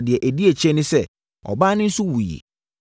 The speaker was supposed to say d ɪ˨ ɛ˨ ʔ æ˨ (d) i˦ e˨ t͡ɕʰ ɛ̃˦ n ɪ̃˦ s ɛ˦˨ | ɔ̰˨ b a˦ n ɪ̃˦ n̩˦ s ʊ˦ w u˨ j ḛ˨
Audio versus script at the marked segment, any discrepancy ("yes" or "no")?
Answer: no